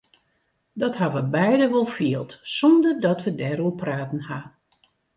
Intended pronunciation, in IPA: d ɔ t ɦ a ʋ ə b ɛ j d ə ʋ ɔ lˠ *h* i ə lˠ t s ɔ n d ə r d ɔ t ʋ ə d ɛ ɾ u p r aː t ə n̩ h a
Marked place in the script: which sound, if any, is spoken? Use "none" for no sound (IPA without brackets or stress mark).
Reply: f